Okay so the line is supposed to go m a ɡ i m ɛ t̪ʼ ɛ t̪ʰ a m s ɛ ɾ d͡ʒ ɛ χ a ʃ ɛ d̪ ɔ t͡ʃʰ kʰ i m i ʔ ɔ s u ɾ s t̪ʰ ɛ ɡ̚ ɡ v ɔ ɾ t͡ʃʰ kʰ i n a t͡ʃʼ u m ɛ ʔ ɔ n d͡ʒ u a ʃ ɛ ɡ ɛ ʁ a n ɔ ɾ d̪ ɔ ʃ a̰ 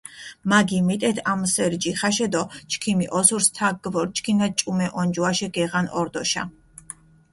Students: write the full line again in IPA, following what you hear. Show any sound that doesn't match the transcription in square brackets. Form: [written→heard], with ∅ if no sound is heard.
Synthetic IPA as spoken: m a ɡ i m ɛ t̪ʼ ɛ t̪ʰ a m s ɛ ɾ d͡ʒ [ɛ→i] χ a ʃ ɛ d̪ ɔ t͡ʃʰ kʰ i m i ʔ ɔ s u ɾ s t̪ʰ [ɛ→a] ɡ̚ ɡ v ɔ ɾ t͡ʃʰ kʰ i n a t͡ʃʼ u m ɛ ʔ ɔ n d͡ʒ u a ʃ ɛ ɡ ɛ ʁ a n ɔ ɾ d̪ ɔ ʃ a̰